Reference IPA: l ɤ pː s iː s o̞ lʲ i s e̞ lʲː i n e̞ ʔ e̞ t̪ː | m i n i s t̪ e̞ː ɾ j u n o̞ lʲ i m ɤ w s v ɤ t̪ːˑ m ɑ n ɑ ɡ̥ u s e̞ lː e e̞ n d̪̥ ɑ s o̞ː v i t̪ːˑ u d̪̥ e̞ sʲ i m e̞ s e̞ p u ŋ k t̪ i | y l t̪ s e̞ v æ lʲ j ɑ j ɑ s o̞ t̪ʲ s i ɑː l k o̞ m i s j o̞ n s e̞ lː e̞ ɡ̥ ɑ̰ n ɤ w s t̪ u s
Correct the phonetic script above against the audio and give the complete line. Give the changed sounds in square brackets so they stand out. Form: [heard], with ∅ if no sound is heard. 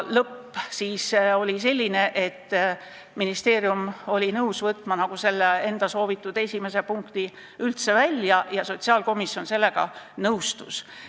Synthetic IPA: l ɤ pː s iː s o̞ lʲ i s e̞ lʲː i n e̞ ʔ e̞ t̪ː | m i n i s t̪ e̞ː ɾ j u [m] o̞ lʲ i [n] ɤ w s v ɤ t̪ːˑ m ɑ n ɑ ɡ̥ u s e̞ lː e e̞ n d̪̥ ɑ s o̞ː v i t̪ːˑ u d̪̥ e̞ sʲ i m e̞ s e̞ p u ŋ k t̪ i | y l t̪ s e̞ v æ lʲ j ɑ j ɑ s o̞ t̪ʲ s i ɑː l k o̞ m i s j o̞ n s e̞ lː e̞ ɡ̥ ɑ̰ n ɤ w s t̪ u s